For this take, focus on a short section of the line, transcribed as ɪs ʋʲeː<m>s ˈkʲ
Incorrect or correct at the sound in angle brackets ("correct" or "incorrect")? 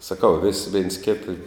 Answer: incorrect